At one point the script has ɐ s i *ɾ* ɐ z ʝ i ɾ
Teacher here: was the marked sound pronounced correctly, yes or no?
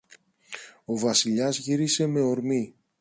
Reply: no